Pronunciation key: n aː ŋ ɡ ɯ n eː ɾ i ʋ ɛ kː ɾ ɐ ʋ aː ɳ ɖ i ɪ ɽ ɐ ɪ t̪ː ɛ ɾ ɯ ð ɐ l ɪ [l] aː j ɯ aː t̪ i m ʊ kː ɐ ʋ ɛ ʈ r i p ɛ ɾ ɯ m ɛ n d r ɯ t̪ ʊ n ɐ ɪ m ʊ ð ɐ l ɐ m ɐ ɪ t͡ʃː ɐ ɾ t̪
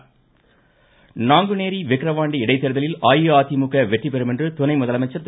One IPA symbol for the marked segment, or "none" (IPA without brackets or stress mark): l